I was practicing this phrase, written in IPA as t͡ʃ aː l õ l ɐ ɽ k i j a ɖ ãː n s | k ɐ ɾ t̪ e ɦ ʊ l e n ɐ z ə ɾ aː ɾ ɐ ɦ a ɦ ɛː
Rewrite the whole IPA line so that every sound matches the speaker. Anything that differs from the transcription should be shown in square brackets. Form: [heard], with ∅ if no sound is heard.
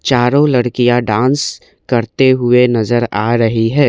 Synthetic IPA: t͡ʃ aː [ɾ] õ l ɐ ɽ k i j a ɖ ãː n s | k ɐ ɾ t̪ e ɦ ʊ [∅] e n ɐ z ə ɾ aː ɾ ɐ ɦ [i] ɦ ɛː